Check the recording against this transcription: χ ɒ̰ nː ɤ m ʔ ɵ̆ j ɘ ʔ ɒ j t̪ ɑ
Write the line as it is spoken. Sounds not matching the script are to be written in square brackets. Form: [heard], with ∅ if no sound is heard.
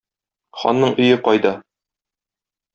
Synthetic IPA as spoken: χ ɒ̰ nː ɤ [ɴ] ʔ ɵ̆ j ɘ [q] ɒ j [d̪] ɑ

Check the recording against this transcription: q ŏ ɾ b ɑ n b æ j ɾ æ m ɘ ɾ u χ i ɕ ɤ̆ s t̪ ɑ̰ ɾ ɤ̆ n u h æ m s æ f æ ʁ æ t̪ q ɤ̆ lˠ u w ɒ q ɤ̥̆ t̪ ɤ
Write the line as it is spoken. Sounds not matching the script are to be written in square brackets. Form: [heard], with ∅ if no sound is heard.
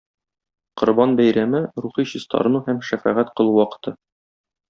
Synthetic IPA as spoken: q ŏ ɾ b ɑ n b æ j ɾ æ m ɘ ɾ u χ i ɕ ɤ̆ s t̪ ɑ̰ ɾ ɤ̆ n u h æ m [ʃ] æ f æ ʁ æ t̪ q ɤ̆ lˠ u w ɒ q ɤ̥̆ t̪ ɤ

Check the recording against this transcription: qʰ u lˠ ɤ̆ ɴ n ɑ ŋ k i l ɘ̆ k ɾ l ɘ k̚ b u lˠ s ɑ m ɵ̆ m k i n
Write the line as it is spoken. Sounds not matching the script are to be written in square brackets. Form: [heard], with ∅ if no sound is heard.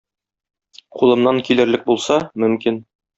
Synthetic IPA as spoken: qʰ u lˠ ɤ̆ [m] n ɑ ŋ k i l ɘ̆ [∅] ɾ l ɘ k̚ b u lˠ s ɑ m ɵ̆ m k i n

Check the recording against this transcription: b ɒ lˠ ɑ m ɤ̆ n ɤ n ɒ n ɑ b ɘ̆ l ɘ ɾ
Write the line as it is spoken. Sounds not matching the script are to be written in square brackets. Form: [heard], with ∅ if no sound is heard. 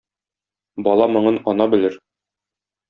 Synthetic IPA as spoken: b ɒ lˠ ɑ m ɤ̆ [ɴ] ɤ n ɒ n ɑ b ɘ̆ l ɘ ɾ

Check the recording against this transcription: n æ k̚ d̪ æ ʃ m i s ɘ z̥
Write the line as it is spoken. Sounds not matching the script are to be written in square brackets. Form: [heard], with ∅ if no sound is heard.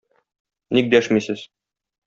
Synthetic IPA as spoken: n [i] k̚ d̪ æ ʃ m i s ɘ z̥

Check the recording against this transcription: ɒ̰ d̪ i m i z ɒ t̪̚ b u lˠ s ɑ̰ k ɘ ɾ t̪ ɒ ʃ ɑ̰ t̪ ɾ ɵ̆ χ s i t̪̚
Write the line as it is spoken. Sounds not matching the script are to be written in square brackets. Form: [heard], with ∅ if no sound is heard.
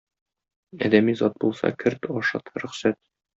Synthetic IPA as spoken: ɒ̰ d̪ [æ] m i z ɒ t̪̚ b u lˠ s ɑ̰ k ɘ ɾ t̪ ɒ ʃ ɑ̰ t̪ ɾ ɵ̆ χ s [æ] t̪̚

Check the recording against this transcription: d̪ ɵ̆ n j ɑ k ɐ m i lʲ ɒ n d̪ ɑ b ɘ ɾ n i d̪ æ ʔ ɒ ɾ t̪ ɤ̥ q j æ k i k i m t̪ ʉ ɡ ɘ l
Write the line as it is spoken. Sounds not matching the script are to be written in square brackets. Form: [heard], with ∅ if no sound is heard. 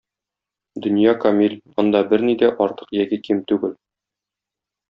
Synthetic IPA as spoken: d̪ ɵ̆ n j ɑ k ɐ m i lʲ ɒ n d̪ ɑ b ɘ ɾ n i d̪ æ ʔ ɒ ɾ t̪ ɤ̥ q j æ k i k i m t̪ ʉ ɡ ɘ l

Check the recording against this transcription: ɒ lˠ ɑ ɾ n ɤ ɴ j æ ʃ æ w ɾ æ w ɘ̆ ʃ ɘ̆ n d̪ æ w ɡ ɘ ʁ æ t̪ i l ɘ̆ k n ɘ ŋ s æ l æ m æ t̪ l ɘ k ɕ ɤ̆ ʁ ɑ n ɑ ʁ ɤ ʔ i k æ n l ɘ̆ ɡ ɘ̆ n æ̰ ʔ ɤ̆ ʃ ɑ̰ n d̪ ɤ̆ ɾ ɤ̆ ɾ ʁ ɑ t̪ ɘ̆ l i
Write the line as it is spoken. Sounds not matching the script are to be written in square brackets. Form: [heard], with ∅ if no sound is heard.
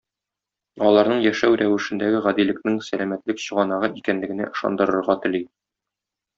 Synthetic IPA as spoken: ɒ lˠ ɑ ɾ n ɤ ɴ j æ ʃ æ w ɾ æ w ɘ̆ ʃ ɘ̆ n d̪ æ [∅] ɡ ɘ ʁ æ [d̪] i l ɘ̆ k n ɘ ŋ s æ l æ m æ t̪ l ɘ k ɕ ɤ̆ ʁ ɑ n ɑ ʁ ɤ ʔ i k æ n l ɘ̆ ɡ ɘ̆ n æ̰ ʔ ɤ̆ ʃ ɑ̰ n d̪ ɤ̆ ɾ ɤ̆ ɾ ʁ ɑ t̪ ɘ̆ l i

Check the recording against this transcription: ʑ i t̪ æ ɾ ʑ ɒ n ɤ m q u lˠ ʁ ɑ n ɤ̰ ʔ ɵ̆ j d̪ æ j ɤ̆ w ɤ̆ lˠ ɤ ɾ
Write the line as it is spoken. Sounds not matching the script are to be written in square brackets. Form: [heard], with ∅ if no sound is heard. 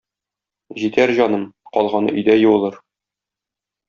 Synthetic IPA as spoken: ʑ i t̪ æ ɾ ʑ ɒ n ɤ m q [ɒ] lˠ ʁ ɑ n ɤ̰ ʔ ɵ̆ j d̪ æ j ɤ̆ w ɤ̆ lˠ ɤ ɾ

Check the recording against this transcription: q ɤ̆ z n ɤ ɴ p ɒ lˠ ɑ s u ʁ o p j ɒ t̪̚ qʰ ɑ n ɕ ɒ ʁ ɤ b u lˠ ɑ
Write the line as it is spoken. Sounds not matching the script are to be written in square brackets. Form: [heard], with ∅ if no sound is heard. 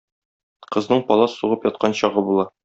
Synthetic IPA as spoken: q ɤ̆ z n ɤ ɴ p ɒ lˠ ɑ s u ʁ [ɤ] p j ɒ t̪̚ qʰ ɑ n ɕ ɒ ʁ ɤ b u lˠ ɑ

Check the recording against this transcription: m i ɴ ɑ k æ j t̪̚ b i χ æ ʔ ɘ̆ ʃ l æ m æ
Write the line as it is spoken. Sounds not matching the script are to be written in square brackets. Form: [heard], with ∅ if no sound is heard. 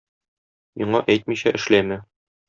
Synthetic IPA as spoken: m i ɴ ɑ [ʔ] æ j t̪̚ [m] i [ɕ] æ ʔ ɘ̆ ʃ l æ m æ

